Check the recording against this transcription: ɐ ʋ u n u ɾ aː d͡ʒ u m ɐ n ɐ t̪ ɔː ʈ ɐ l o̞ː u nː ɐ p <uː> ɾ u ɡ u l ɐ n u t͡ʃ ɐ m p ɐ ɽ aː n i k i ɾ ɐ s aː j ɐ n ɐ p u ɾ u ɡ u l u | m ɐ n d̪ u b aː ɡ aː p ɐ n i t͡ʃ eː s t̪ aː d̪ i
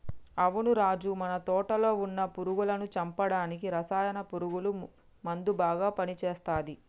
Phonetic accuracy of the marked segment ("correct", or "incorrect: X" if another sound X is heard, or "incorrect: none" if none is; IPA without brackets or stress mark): incorrect: u